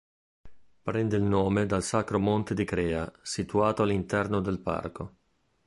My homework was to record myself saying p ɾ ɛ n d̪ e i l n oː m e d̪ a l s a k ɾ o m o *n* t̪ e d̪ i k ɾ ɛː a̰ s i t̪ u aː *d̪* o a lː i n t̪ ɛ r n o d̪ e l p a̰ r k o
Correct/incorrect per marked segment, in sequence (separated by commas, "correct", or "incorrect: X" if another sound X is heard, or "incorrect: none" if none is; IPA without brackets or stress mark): correct, incorrect: t̪